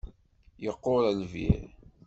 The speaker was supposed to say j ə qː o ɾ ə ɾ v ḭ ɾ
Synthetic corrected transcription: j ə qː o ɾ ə l v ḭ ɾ

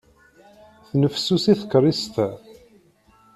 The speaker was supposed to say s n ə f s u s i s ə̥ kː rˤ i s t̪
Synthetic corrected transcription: θ n ə f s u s i θ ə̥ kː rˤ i s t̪

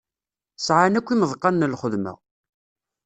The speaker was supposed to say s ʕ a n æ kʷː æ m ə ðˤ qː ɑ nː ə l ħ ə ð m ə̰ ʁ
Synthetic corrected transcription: s ʕ a n æ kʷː i m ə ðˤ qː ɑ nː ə l χ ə ð m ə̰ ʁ

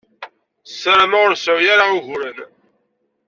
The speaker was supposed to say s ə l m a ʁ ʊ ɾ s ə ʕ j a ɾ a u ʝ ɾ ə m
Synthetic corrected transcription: s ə ɾ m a ʁ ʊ ɾ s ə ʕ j a ɾ a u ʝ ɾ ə n

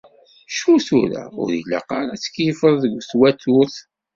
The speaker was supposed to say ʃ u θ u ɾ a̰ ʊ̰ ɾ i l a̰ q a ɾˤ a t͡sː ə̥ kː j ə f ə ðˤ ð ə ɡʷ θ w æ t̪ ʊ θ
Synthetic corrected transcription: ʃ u θ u ɾ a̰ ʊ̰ ɾ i l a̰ q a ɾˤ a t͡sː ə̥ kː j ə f ə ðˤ ð ə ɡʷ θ w æ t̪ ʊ θ

